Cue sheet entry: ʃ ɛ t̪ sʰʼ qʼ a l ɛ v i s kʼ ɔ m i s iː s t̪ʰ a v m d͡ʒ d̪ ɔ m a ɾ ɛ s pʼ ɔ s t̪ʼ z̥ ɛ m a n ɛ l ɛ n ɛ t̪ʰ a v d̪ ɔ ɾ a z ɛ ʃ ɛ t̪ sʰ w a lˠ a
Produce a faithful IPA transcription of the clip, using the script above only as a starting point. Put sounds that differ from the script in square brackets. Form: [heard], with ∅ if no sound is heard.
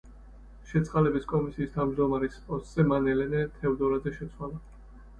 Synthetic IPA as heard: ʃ ɛ t̪ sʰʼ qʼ a l ɛ [b] i s kʼ ɔ m i s iː s t̪ʰ a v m d͡ʒ d̪ ɔ m a ɾ ɛ s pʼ ɔ s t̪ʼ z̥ ɛ m a n ɛ l ɛ n ɛ t̪ʰ [ɛ] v d̪ ɔ ɾ a z ɛ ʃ ɛ t̪ sʰ w a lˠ a